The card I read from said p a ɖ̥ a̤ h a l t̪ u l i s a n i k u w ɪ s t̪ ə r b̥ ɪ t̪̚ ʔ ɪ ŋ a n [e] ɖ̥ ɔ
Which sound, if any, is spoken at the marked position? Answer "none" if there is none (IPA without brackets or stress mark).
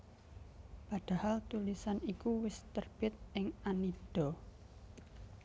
i